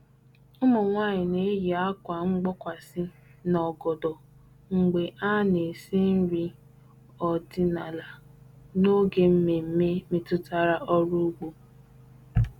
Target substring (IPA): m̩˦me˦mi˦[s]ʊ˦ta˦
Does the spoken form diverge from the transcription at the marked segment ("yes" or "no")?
yes